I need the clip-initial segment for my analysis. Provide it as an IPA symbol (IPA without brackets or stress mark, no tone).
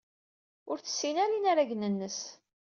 ʊ